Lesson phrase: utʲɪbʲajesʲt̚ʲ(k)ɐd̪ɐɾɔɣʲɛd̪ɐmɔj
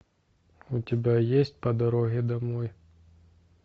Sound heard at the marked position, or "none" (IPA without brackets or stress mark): p